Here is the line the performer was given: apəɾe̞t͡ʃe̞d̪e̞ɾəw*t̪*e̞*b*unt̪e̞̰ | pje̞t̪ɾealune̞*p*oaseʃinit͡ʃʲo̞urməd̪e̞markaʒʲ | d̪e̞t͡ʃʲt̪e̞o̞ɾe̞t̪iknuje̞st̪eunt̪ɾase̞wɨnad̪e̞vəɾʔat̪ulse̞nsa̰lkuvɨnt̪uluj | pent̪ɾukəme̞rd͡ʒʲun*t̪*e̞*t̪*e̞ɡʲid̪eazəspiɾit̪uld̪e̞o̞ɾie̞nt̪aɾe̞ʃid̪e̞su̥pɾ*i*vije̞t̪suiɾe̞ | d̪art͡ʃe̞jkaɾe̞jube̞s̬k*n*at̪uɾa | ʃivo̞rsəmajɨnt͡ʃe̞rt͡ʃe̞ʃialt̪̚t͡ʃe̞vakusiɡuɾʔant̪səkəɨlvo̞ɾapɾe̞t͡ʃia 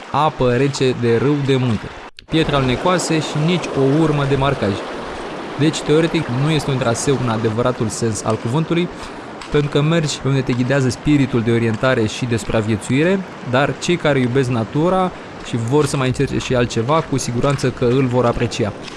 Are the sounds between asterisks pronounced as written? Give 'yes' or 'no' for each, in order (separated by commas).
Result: no, no, no, no, yes, no, yes